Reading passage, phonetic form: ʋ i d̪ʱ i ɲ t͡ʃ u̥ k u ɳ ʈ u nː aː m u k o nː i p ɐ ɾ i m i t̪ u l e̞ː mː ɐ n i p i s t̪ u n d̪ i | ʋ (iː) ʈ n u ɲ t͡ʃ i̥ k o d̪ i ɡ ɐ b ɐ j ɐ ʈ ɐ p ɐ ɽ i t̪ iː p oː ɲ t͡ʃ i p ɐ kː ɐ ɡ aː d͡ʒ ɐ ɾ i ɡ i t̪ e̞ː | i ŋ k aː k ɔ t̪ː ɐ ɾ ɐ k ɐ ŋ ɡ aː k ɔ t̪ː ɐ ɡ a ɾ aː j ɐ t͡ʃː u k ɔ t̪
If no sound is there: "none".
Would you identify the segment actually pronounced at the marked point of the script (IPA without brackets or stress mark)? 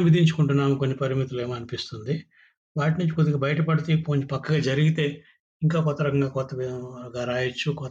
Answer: aː